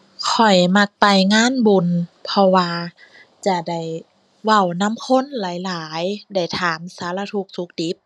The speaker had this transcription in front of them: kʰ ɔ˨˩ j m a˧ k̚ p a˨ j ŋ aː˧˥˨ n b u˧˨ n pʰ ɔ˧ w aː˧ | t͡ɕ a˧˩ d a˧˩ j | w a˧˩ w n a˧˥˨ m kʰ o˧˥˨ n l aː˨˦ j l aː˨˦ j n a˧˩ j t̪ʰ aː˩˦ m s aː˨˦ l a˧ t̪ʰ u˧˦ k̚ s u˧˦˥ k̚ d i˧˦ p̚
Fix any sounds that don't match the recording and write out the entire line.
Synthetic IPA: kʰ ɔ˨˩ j m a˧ k̚ p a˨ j ŋ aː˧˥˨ n b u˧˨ n pʰ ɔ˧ w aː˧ | t͡ɕ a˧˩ d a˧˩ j | w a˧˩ w n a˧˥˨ m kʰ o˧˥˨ n l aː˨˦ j l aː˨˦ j d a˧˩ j t̪ʰ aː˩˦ m s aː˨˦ l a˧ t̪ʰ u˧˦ k̚ s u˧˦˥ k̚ d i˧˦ p̚